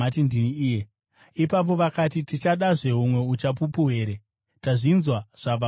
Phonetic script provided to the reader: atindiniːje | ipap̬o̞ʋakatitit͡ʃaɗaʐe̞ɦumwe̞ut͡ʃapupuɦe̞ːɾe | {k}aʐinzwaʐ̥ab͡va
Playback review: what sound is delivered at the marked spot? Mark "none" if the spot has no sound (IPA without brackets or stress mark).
t